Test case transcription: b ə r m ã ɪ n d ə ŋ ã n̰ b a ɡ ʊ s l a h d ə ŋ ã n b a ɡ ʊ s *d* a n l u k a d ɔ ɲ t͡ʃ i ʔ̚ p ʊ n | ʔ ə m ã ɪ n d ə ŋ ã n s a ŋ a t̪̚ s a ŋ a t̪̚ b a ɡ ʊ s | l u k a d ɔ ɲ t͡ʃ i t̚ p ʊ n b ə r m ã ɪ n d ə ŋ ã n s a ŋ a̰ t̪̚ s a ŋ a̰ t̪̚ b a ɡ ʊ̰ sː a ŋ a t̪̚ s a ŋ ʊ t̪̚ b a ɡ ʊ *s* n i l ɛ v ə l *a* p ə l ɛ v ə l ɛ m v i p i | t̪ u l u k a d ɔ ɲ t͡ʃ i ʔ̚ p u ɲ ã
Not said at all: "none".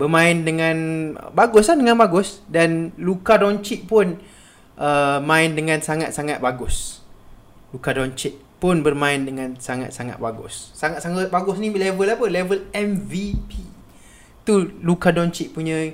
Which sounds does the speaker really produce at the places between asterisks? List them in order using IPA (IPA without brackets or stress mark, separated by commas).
d, s, a